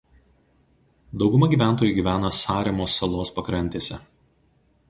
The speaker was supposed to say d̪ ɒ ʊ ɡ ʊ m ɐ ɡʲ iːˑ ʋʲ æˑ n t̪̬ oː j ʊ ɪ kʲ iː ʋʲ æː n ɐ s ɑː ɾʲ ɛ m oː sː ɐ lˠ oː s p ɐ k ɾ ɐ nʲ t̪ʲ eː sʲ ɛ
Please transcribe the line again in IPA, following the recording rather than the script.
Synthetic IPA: d̪ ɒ ʊ ɡ ʊ m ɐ ɡʲ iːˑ ʋʲ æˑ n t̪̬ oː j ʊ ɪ ɡʲ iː ʋʲ æː n ɐ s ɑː ɾʲ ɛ m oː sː ɐ lˠ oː s p ɐ k ɾ ɐ nʲ t̪ʲ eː sʲ ɛ